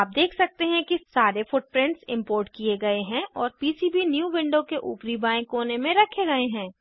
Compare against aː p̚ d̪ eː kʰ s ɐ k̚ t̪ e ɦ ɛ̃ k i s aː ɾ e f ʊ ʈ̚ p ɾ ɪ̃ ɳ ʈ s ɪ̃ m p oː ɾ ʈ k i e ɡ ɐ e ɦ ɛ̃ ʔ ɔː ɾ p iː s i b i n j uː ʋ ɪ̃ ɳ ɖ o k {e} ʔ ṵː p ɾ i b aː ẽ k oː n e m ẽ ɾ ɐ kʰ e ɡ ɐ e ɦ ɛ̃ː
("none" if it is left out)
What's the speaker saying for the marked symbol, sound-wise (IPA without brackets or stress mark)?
e